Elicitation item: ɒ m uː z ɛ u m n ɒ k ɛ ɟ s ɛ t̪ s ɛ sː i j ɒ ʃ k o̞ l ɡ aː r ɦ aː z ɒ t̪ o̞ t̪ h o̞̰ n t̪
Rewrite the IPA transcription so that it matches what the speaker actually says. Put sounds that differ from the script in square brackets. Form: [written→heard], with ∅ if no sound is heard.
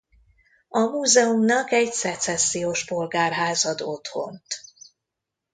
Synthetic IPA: ɒ m uː z ɛ u m n ɒ k ɛ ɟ s ɛ t̪ s ɛ sː i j [ɒ→o] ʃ [k→p] o̞ l ɡ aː r ɦ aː z ɒ [t̪→d̪] o̞ t̪ h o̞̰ n t̪